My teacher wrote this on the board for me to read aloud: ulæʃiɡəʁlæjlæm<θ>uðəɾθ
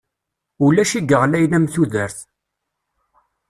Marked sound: correct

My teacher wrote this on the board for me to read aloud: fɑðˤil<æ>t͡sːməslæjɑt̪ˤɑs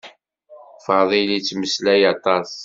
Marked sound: incorrect: i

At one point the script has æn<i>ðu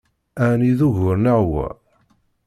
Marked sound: correct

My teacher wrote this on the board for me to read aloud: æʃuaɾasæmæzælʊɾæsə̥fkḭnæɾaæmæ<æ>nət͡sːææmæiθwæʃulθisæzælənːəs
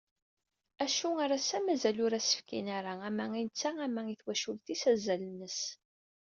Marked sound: incorrect: i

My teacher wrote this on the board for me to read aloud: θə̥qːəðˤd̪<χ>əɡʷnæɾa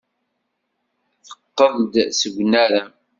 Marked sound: incorrect: s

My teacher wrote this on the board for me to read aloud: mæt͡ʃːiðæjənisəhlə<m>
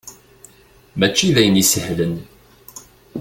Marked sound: incorrect: n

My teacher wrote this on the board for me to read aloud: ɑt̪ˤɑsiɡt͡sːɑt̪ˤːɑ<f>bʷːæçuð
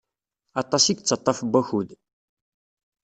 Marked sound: correct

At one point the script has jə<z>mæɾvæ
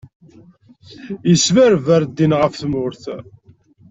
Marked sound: incorrect: s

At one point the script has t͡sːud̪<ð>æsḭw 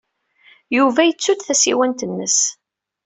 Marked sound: incorrect: θ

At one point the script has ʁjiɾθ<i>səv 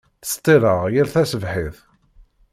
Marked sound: incorrect: æ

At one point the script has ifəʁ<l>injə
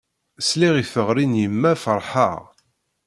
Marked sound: incorrect: ɾ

